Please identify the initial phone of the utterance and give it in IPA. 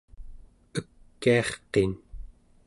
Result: ə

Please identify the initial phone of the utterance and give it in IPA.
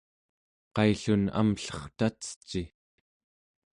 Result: q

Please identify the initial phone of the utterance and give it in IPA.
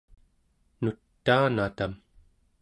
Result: n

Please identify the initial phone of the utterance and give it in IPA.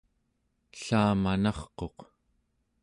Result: ɬ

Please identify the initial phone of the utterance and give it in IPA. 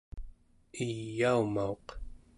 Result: i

